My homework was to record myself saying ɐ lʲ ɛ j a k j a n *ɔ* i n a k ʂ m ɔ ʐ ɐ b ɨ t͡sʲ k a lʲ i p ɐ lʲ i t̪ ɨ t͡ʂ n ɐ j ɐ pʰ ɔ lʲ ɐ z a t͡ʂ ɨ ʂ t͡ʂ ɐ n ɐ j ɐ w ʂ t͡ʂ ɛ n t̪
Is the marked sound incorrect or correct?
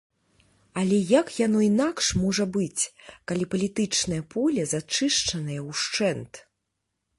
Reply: correct